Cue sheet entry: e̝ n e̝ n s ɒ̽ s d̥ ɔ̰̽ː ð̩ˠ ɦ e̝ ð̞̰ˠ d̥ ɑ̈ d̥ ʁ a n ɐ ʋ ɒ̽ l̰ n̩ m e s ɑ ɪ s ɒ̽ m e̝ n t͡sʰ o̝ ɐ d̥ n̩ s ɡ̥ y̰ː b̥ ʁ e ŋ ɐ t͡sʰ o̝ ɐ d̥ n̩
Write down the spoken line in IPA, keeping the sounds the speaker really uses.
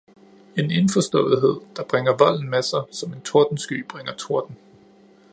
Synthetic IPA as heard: e̝ n e̝ n f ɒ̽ s d̥ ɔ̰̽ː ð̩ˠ ɦ e̝ ð̞̰ˠ d̥ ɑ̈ b̥ ʁ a ŋ ɐ ʋ ɒ̽ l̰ n̩ m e s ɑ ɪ s ɒ̽ m e̝ n t͡sʰ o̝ ɐ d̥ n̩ s ɡ̥ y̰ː b̥ ʁ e ŋ ɐ t͡sʰ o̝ ɐ d̥ n̩

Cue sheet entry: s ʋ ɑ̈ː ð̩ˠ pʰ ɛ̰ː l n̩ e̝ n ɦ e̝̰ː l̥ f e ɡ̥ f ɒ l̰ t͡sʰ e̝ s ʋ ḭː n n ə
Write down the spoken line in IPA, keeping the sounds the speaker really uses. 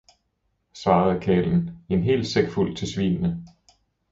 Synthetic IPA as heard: s ʋ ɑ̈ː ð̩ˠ kʰ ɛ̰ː l n̩ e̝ n ɦ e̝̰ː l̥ s e ɡ̥ f u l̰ t͡sʰ e̝ s ʋ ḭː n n ə

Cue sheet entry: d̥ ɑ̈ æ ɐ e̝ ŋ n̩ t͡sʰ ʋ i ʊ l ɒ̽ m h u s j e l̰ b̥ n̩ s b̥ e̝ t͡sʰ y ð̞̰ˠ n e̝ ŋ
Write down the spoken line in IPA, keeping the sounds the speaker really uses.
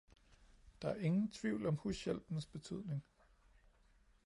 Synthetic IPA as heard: d̥ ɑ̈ æ ɐ e̝ ŋ n̩ t͡sʰ ʋ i ʊ l ɒ̽ m h u s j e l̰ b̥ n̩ s b̥ e̝ t͡sʰ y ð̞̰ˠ n e̝ ŋ

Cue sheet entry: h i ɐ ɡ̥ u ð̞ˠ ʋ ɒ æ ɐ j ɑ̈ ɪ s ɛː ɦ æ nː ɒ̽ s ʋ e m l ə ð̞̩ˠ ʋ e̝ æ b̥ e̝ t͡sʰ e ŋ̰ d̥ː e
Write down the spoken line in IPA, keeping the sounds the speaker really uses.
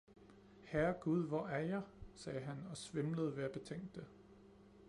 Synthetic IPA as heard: h æ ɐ ɡ̥ u ð̞ˠ ʋ ɒ æ ɐ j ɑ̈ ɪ s ɛː ɦ æ n ɒ̽ s ʋ e m l ə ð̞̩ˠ ʋ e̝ æ b̥ e̝ t͡sʰ e ŋ̰ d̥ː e

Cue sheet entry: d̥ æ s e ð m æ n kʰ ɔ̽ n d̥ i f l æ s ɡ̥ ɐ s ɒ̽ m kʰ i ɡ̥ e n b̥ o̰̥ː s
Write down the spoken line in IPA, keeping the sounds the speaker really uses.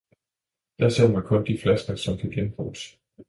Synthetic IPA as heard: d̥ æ s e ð m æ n kʰ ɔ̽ n d̥ i f l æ s ɡ̥ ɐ s ɒ̽ m kʰ æ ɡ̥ e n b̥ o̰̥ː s

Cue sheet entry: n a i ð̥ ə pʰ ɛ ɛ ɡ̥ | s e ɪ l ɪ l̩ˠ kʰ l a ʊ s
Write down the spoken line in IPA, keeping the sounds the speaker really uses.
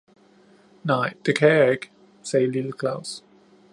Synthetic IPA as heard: n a ɪ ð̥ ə kʰ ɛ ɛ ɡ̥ | s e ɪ l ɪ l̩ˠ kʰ l a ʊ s

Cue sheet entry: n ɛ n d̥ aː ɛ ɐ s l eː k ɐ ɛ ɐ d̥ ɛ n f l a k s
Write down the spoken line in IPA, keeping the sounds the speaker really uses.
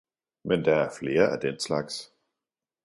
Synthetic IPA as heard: m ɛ n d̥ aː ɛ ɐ f l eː ɐ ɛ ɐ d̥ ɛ n s l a k s

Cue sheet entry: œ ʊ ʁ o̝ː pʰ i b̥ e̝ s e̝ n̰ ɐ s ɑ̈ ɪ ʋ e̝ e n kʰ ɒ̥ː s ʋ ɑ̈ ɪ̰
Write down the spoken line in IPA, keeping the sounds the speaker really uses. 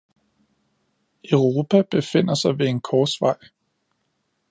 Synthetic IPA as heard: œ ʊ ʁ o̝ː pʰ æ b̥ e̝ f e̝ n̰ ɐ s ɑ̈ ɪ ʋ e̝ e n kʰ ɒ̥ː s ʋ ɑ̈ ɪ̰

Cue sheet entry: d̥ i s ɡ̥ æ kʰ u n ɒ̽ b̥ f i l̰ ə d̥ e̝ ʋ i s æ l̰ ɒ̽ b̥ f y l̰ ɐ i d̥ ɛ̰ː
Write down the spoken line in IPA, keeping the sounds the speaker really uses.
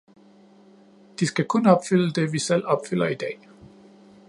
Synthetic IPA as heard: d̥ i s ɡ̥ æ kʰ ɔ n ɒ̽ b̥ f y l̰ ə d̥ e̝ ʋ i s e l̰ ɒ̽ b̥ f y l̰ ɐ i d̥ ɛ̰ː

